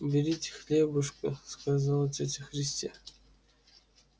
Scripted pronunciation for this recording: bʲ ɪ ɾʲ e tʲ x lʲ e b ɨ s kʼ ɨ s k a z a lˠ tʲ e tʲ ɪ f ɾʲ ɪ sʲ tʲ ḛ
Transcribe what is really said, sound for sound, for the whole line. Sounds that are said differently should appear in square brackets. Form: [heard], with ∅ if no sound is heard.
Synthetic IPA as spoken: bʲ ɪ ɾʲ [i] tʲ x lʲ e b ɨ [ʂ] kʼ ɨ s k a z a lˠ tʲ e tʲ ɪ [x] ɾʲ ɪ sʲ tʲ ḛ